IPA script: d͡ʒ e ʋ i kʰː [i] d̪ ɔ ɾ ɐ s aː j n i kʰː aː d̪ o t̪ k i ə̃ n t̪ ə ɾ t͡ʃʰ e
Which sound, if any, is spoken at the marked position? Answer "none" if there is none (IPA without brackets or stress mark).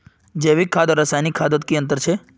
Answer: a